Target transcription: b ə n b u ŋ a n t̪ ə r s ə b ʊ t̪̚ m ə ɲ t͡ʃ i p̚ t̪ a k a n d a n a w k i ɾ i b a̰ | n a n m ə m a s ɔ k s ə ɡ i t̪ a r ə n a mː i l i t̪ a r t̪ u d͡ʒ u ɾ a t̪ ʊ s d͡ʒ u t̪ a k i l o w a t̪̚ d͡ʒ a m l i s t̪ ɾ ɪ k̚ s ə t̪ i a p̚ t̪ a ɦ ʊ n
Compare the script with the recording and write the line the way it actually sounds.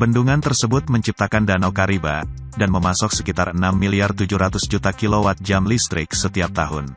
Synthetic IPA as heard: b ə n d u ŋ a n t̪ ə r s ə b ʊ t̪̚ m ə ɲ t͡ʃ i p̚ t̪ a k a n d a n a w k a ɾ i b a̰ | d a n m ə m a s ɔ k s ə k i t̪ a r ə n a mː i l i a r t̪ u d͡ʒ u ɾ a t̪ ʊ s d͡ʒ u t̪ a k i l o w a t̪̚ d͡ʒ a m l i s t̪ ɾ ɪ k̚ s ə t̪ i a p̚ t̪ a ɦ ʊ n